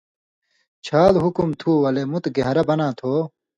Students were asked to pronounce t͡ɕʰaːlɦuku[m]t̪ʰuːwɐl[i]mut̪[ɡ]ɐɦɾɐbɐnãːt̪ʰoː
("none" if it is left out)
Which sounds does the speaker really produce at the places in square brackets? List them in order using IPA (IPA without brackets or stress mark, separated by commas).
m, e, ɡ